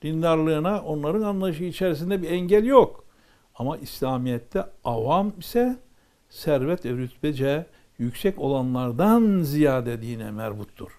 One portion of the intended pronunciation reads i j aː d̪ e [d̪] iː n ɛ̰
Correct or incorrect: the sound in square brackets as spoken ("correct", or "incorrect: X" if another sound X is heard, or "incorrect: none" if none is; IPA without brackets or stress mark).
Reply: correct